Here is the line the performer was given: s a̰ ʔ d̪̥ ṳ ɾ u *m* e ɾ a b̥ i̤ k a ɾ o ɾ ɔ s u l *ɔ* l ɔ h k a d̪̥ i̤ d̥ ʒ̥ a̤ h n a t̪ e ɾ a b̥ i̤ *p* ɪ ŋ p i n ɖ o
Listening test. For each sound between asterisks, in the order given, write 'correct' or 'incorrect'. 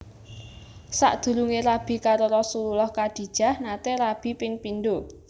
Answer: incorrect, incorrect, correct

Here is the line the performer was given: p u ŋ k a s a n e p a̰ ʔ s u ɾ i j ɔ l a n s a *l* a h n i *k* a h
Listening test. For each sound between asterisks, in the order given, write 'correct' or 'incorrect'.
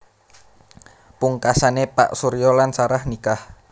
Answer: incorrect, correct

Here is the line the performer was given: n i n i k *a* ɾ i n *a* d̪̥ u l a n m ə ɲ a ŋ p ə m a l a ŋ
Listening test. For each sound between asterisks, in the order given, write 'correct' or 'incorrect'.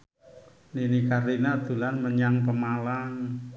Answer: correct, correct

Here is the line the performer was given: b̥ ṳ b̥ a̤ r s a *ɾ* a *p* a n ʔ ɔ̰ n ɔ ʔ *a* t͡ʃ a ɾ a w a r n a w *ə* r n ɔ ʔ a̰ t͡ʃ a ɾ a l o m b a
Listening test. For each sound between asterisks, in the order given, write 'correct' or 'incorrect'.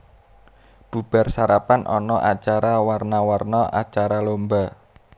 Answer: correct, correct, correct, incorrect

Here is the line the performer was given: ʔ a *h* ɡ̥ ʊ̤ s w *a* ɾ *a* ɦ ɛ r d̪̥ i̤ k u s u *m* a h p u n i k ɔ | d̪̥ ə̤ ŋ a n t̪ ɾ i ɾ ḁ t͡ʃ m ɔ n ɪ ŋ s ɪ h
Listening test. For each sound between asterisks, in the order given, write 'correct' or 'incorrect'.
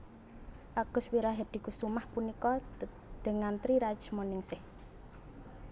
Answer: incorrect, incorrect, correct, correct

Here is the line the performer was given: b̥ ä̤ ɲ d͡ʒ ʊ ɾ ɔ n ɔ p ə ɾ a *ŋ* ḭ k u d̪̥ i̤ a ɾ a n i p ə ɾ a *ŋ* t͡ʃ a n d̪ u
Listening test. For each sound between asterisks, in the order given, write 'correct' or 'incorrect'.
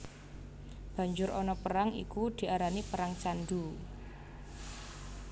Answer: correct, correct

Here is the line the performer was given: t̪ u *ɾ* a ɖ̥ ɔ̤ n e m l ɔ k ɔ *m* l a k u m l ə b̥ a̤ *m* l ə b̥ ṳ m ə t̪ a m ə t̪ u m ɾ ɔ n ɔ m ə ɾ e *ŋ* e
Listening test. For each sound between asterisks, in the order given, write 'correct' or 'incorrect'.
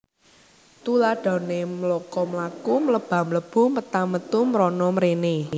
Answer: incorrect, correct, correct, incorrect

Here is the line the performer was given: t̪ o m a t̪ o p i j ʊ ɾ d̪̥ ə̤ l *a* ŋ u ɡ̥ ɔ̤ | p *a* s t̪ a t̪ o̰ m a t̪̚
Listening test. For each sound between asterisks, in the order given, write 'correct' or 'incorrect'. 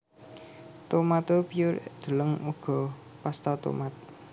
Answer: incorrect, correct

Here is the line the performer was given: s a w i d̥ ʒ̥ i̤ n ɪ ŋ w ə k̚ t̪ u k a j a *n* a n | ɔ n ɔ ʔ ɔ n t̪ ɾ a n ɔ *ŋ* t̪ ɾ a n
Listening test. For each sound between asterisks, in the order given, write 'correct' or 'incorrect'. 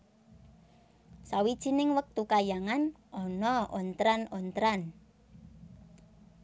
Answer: incorrect, incorrect

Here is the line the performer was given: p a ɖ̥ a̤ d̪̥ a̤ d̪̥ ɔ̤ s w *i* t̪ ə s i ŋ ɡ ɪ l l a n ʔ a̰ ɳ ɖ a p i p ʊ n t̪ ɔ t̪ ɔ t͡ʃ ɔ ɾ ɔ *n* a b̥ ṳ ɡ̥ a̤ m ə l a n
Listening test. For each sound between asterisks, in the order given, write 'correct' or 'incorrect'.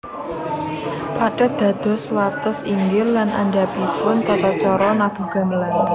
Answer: incorrect, correct

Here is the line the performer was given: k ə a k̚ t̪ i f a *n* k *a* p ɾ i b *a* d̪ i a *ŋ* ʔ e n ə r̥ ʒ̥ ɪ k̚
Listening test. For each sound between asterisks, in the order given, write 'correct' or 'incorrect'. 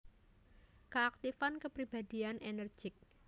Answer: correct, incorrect, correct, incorrect

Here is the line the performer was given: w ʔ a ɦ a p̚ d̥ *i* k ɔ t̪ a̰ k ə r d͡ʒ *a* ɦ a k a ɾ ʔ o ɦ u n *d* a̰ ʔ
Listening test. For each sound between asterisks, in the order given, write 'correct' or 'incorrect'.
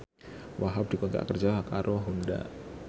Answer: correct, correct, correct

